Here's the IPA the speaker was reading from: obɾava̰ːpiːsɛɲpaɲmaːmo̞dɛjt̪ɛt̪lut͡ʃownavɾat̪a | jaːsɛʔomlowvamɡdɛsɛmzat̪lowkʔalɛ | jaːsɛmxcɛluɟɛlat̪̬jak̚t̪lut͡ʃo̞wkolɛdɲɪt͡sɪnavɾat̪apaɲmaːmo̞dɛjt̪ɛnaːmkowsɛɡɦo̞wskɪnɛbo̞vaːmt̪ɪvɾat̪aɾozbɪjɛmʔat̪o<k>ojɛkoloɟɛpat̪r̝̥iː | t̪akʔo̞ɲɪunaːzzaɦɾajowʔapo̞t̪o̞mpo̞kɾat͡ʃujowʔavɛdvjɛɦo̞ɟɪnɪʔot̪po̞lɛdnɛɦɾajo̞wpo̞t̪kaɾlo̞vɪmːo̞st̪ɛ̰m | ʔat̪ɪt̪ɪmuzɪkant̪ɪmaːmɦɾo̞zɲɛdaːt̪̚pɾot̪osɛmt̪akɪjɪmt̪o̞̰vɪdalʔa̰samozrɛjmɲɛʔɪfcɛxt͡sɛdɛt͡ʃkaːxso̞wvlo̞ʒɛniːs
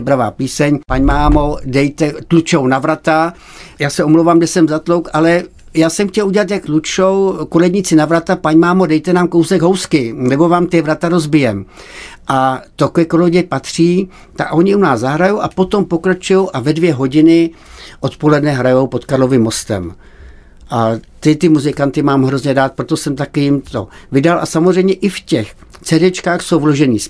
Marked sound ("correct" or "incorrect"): correct